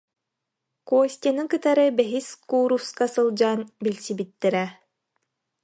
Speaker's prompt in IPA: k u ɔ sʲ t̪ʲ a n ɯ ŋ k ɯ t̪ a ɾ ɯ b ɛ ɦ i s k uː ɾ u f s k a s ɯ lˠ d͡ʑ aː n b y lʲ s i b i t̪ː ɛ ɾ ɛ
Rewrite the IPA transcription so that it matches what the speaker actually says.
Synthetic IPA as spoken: k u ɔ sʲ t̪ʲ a n ɯ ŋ k ɯ t̪ a ɾ ɯ b ɛ ɦ i s k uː ɾ u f s k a s ɯ lˠ d͡ʑ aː n b i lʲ s i b i t̪ː ɛ ɾ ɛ